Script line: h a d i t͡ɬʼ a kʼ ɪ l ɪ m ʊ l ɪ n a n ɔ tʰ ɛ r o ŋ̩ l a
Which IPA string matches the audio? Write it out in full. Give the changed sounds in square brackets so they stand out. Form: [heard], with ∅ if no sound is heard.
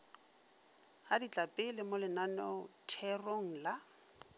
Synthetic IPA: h a d i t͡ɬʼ a [pʼ] ɪ l ɪ m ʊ l ɪ n a n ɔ tʰ ɛ r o ŋ̩ l a